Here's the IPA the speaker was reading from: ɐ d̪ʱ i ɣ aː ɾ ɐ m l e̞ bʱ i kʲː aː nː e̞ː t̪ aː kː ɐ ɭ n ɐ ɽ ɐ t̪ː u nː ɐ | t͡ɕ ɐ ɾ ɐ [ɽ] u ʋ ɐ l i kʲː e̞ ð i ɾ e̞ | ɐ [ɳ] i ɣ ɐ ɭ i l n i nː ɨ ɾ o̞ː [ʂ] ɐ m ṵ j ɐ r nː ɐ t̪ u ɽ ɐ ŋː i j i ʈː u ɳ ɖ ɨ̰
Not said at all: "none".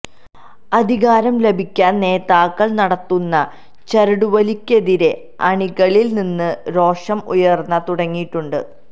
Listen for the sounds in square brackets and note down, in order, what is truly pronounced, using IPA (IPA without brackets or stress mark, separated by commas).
ɽ, ɳ, ʂ